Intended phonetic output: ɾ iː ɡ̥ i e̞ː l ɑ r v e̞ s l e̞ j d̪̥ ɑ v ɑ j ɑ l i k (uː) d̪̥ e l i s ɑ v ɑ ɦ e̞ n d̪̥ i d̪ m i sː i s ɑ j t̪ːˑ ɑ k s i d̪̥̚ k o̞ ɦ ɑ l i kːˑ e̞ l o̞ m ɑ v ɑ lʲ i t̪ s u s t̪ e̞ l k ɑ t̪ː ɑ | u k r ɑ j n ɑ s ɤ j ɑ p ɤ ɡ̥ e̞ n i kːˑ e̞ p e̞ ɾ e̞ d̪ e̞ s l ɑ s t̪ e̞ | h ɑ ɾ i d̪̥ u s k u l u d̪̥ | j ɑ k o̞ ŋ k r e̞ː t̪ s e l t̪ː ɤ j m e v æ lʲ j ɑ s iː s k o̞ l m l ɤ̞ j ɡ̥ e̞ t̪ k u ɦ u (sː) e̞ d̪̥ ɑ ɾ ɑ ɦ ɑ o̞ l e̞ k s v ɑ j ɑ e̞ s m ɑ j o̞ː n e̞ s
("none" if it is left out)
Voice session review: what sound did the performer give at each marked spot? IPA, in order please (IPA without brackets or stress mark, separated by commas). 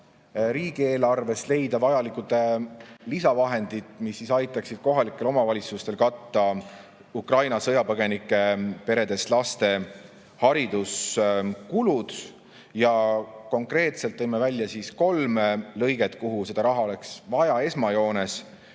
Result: u, s